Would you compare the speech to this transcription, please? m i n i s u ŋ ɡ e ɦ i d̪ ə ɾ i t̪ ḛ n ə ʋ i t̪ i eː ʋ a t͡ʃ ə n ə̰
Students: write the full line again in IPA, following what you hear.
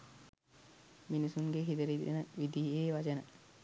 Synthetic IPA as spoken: m i n i s u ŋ ɡ e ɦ i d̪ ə ɾ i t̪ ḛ n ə ʋ i d̪ i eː ʋ a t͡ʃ ə n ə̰

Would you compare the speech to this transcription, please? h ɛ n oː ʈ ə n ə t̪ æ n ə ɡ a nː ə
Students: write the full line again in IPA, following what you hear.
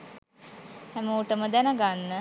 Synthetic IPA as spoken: h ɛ m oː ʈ ə m ə d̪ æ n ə ɡ a nː ə

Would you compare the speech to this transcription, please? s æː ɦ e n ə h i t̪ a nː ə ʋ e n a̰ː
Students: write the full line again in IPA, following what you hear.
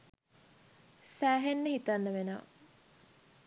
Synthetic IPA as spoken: s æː ɦ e nː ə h i t̪ a nː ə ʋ e n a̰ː

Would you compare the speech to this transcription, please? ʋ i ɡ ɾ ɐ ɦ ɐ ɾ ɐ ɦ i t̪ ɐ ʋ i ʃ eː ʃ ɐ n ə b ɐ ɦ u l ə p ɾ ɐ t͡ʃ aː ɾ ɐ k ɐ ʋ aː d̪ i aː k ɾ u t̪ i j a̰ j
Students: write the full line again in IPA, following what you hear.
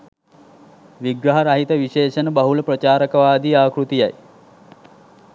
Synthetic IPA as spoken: ʋ i ɡ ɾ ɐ ɦ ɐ ɾ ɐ ɦ i t̪ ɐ ʋ i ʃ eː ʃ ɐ n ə b ɐ ɦ u l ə p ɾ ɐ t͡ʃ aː ɾ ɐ k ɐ ʋ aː d̪ i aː k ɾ u t̪ i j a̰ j

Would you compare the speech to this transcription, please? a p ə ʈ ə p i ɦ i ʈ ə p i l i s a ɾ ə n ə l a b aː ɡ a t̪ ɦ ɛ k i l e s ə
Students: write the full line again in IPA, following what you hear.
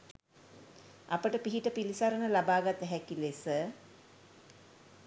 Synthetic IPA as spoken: a p ə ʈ ə p i ɦ i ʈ ə p i l i s a ɾ ə n ə l a b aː ɡ a t̪ ɦ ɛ k i l e s ə

